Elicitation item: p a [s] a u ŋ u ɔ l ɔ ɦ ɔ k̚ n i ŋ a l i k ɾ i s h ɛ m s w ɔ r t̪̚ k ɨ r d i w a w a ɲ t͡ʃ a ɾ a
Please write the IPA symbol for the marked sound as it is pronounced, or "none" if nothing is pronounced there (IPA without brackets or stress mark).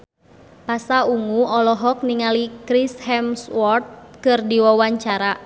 s